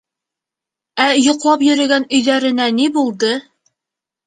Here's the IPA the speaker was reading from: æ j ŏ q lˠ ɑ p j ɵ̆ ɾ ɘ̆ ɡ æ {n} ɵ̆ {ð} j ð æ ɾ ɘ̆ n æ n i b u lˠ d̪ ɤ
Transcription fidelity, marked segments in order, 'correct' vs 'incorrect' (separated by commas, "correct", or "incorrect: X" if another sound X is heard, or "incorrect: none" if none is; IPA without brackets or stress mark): correct, incorrect: none